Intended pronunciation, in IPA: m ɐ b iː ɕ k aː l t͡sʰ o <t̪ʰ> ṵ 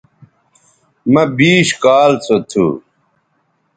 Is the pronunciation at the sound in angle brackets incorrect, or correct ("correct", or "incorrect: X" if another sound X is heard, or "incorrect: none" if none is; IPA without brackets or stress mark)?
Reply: correct